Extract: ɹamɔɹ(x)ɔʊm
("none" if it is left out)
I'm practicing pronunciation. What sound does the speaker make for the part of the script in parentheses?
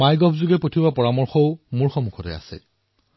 x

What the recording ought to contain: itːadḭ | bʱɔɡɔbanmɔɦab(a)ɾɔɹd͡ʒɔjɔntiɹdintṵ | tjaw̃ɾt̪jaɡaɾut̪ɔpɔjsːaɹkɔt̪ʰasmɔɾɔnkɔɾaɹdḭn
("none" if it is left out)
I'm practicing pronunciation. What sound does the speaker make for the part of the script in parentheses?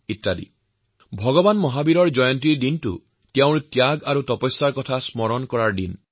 i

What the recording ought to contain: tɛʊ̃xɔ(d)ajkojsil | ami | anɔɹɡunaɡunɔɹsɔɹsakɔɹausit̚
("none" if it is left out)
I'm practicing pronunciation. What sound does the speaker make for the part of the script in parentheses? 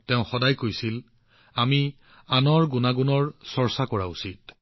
d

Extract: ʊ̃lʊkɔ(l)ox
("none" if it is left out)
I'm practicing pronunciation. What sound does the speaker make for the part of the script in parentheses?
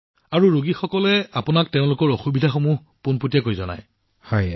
ɹ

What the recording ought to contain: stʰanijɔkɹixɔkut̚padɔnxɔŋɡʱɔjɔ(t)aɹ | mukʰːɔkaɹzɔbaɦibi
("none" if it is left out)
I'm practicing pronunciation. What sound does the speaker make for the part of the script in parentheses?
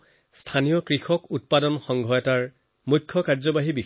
t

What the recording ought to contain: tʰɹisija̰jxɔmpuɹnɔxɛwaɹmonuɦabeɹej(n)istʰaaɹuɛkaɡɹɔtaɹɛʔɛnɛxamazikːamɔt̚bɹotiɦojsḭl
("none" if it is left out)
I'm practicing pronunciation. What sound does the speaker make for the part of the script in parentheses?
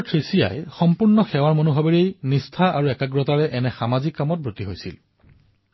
n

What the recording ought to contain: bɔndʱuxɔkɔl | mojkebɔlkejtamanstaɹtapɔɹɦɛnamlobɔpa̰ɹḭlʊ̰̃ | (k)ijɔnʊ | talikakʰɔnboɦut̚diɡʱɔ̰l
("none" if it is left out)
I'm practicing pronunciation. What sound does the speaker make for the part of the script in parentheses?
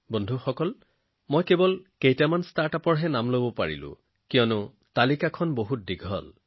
k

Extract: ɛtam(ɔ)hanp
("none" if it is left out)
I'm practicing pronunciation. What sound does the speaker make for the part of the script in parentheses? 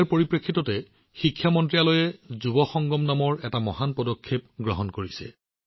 ɔ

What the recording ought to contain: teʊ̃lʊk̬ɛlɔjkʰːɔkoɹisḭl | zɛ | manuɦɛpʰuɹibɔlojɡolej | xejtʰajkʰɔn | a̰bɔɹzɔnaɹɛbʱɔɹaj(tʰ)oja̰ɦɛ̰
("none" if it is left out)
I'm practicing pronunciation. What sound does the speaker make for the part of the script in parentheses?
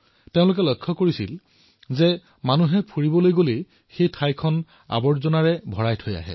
tʰ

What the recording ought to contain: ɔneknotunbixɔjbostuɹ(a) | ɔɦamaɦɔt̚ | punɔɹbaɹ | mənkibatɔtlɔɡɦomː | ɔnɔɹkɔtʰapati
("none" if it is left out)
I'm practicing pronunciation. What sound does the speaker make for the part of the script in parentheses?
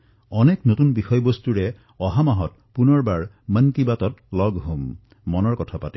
ɛ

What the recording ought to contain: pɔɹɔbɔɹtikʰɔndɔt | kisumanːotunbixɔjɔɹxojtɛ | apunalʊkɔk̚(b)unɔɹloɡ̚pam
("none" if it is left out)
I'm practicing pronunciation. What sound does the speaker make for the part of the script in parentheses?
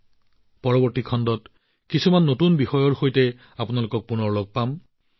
p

